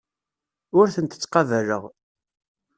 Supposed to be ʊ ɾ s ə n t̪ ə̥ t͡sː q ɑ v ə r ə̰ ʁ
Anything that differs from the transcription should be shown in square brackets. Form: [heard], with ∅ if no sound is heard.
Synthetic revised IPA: ʊ ɾ [θ] ə n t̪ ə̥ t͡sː q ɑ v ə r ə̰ ʁ